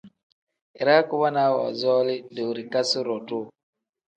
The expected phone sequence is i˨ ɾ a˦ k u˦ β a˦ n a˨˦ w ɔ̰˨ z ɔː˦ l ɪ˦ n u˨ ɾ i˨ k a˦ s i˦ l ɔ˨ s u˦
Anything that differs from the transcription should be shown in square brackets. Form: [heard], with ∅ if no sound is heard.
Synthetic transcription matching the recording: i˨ ɾ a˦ k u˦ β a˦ n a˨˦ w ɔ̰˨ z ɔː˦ l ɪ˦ [d] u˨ ɾ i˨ k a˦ s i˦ [ɾ] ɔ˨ [t] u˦